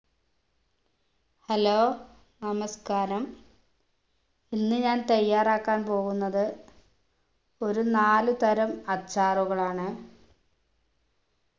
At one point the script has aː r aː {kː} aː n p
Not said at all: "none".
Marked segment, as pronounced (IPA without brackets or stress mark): kː